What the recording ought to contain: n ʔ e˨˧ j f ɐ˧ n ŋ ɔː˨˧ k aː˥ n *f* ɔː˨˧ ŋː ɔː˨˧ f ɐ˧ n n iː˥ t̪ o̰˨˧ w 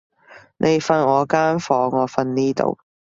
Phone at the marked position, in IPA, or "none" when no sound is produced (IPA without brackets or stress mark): f